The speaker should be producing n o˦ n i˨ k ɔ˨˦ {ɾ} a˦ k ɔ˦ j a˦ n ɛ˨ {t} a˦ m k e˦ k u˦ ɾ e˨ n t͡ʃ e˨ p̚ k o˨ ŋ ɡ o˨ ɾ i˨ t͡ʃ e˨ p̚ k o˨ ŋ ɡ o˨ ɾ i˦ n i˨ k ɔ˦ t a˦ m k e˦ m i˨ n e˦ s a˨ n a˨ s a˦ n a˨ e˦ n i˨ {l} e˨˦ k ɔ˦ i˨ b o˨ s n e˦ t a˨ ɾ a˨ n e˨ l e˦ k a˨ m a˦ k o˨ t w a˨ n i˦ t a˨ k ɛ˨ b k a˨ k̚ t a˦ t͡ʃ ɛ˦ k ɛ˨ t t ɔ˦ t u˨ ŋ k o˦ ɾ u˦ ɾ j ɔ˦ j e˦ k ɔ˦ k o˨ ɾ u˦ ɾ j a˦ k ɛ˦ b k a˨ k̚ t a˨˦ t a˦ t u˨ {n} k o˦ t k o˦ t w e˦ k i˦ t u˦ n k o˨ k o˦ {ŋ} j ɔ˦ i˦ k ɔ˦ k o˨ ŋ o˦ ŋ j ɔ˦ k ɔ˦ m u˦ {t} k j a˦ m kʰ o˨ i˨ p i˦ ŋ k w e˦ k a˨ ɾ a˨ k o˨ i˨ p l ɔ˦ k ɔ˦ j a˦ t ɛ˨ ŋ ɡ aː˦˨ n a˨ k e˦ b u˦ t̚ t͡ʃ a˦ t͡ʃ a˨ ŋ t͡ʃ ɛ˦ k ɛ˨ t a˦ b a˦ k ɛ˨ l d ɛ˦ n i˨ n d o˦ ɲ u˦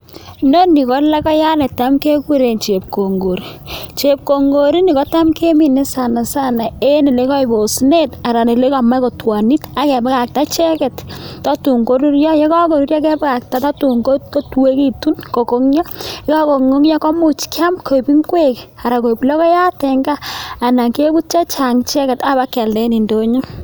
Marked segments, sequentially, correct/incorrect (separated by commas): incorrect, correct, correct, incorrect, correct, incorrect